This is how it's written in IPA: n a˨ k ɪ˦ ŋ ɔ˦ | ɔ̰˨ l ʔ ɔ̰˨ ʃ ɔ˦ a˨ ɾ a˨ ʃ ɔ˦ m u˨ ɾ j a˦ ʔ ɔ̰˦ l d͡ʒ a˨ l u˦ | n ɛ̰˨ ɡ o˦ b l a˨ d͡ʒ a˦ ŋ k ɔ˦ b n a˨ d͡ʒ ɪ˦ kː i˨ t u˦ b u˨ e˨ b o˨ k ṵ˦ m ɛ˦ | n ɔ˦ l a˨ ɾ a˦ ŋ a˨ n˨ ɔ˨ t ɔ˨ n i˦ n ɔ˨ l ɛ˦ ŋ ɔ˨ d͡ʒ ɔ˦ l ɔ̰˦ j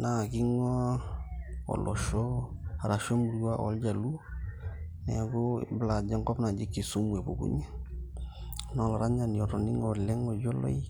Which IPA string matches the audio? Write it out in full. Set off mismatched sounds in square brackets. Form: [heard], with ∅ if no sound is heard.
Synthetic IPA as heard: n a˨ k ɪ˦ ŋ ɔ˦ | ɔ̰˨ l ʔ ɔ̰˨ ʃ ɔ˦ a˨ ɾ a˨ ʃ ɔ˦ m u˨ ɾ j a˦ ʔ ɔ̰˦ l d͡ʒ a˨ l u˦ | n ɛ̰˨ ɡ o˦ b l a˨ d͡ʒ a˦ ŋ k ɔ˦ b n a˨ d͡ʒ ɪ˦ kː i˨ [s] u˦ [m] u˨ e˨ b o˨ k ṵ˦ [ɲ] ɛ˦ | n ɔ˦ l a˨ ɾ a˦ [ɲ] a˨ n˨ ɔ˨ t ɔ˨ n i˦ [ŋ] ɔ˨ l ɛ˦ ŋ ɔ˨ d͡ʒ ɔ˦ l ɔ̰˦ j